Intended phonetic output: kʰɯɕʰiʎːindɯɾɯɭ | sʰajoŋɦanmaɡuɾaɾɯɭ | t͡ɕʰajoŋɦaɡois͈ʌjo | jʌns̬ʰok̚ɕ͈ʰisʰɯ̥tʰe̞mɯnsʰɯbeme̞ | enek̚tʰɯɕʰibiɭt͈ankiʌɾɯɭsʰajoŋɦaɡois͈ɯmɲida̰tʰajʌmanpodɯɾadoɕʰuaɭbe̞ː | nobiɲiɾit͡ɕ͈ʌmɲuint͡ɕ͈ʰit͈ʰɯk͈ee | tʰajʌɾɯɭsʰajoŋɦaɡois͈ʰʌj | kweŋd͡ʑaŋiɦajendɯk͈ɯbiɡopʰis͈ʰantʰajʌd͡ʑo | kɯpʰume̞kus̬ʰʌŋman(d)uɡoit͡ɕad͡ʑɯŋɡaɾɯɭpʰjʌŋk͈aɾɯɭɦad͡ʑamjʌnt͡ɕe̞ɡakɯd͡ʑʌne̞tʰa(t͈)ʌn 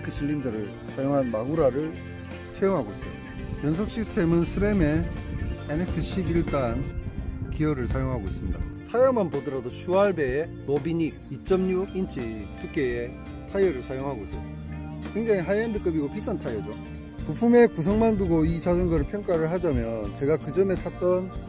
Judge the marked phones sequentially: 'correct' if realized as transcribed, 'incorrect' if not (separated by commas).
correct, correct